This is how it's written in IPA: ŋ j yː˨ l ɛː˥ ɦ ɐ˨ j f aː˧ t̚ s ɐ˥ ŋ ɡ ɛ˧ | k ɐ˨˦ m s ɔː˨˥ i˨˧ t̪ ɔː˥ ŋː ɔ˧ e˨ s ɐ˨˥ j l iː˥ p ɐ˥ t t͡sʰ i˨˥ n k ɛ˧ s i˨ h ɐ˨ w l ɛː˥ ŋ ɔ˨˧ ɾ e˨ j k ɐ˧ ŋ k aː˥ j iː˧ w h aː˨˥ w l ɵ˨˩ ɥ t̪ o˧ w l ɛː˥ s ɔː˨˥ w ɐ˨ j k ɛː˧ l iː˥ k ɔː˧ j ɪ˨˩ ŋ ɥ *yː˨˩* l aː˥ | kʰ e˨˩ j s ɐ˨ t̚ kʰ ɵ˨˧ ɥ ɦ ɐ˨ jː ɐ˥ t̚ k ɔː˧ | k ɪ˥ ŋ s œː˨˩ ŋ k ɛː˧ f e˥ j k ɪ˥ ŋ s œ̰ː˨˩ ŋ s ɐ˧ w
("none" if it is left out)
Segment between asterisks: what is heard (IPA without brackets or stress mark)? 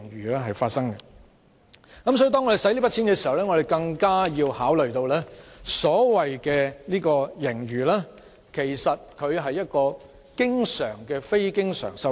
yː˨˩